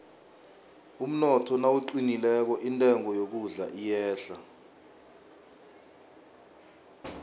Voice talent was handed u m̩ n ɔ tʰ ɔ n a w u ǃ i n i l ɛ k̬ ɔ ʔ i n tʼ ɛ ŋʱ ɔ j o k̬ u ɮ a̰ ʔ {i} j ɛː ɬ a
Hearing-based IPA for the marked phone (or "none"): i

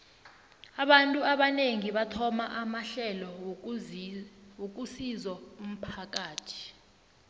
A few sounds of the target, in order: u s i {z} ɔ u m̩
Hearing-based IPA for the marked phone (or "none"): z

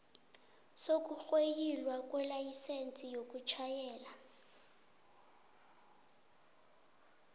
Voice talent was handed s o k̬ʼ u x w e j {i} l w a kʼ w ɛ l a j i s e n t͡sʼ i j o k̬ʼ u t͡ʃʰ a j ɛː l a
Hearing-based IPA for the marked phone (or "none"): i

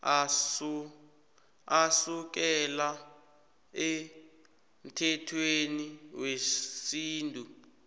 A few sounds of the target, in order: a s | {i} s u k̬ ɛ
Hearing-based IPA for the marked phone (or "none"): a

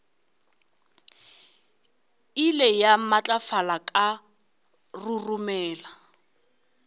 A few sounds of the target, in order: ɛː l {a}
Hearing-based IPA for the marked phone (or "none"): a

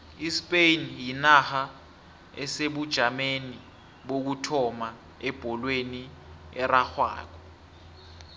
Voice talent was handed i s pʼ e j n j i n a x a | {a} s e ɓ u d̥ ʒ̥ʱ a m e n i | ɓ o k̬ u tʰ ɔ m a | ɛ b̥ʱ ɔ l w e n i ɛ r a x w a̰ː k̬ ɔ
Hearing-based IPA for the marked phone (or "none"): ɛ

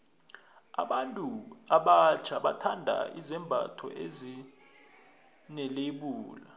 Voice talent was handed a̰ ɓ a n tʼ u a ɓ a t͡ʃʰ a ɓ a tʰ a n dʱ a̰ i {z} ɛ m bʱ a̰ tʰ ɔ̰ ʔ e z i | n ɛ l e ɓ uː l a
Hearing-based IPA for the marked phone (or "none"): z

